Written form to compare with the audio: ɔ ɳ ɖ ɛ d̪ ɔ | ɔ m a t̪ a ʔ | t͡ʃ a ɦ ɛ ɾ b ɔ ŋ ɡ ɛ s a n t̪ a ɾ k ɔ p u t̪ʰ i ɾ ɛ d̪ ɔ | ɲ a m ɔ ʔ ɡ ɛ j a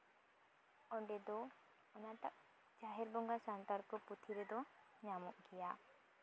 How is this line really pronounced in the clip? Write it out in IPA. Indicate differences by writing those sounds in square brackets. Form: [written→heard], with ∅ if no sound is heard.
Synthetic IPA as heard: ɔ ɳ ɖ ɛ d̪ ɔ | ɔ [m→n] a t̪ a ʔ | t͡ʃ a ɦ ɛ ɾ b ɔ ŋ ɡ [ɛ→a] s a n t̪ a ɾ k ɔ p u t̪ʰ i ɾ ɛ d̪ ɔ | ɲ a m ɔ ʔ ɡ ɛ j a